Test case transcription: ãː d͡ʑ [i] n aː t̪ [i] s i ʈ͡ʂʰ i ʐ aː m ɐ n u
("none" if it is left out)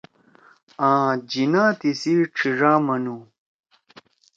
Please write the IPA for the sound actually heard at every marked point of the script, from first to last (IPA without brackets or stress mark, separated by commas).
i, i